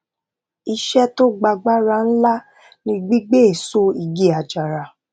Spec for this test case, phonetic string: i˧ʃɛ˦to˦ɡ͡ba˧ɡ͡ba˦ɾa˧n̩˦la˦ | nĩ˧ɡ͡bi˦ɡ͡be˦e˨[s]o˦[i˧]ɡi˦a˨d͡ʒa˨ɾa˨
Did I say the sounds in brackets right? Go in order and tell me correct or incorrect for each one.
correct, correct

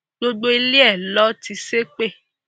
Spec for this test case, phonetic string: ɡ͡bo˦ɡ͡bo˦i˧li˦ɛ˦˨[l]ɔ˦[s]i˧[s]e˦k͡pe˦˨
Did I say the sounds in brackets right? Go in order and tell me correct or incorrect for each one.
correct, incorrect: t, correct

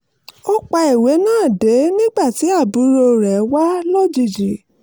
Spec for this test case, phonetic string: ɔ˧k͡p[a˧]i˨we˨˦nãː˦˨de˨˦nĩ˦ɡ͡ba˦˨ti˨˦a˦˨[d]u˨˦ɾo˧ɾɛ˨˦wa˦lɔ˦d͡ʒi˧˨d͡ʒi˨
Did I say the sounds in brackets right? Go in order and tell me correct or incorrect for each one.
correct, incorrect: b

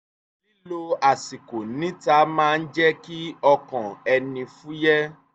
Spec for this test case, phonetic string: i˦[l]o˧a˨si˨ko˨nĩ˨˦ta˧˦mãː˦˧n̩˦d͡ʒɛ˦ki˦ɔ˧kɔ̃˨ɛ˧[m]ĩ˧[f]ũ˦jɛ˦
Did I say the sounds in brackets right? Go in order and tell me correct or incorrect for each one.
correct, incorrect: n, correct

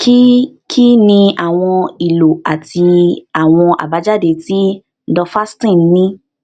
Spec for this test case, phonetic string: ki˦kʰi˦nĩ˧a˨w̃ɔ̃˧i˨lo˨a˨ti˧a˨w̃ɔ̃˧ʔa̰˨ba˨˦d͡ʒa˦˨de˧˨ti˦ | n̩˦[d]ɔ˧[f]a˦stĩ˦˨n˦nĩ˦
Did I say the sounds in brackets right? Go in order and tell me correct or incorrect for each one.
correct, correct

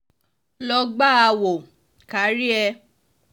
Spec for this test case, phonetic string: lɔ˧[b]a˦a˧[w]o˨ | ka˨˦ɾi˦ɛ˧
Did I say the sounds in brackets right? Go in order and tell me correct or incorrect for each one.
incorrect: ɡ͡b, correct

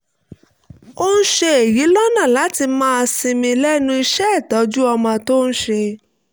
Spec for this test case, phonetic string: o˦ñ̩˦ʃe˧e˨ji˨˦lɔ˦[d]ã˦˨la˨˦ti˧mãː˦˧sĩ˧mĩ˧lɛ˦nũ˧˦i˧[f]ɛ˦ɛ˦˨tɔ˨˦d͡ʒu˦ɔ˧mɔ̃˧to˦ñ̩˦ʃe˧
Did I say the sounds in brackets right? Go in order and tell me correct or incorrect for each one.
incorrect: n, incorrect: ʃ

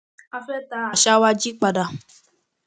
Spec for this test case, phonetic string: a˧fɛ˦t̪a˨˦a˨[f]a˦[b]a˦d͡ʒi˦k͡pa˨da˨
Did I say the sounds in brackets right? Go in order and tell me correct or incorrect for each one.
incorrect: ʃ, incorrect: w

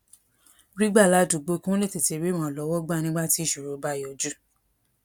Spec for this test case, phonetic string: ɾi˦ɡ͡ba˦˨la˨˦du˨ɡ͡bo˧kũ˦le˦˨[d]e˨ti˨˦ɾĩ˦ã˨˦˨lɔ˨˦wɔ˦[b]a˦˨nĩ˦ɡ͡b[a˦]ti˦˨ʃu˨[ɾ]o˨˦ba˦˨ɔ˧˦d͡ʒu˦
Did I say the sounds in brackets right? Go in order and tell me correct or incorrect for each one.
incorrect: t, incorrect: ɡ͡b, correct, correct

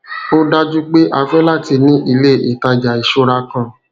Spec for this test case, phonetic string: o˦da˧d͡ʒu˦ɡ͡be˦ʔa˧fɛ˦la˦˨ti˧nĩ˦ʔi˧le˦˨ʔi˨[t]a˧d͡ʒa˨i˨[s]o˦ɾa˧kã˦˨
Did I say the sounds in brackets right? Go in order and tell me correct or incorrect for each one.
correct, incorrect: ʃ

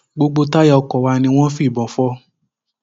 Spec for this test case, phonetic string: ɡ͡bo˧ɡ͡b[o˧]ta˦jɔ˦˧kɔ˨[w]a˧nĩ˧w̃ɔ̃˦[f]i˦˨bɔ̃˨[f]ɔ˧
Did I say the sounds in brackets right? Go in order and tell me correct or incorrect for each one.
correct, correct, correct, correct

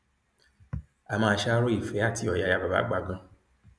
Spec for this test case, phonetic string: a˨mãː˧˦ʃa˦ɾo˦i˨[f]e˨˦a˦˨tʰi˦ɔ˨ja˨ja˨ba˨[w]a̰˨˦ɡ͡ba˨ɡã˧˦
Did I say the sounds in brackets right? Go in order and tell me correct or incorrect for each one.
correct, incorrect: b

